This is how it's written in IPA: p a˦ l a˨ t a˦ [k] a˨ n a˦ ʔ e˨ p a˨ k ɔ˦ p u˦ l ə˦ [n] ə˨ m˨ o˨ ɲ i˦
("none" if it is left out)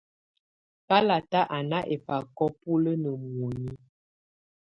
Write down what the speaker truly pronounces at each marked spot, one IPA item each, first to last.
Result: ʔ, n

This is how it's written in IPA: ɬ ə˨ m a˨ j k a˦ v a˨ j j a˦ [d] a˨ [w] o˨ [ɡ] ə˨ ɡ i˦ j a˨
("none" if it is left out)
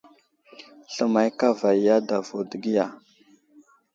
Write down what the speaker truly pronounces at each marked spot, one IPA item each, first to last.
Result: d, v, d

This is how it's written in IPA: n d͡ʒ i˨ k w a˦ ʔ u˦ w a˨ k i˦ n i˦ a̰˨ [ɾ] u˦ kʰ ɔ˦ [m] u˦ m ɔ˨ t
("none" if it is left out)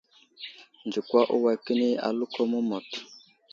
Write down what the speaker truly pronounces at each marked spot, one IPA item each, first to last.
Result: l, m

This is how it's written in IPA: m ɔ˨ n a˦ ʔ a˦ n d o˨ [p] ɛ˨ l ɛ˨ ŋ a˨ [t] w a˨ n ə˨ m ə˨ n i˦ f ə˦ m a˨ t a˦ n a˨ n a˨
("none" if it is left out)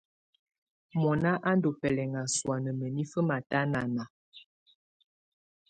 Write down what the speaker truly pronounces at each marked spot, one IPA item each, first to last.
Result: p, s

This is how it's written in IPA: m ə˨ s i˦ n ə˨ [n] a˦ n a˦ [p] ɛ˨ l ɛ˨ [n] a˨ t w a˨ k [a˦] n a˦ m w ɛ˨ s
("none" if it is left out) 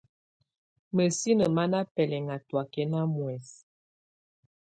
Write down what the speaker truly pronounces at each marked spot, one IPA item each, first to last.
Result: m, p, ŋ, ɛ˦

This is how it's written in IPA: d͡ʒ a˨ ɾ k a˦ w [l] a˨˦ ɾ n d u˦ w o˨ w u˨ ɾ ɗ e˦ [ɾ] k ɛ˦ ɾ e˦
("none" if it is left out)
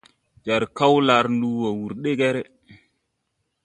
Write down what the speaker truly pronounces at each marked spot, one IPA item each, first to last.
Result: l, none

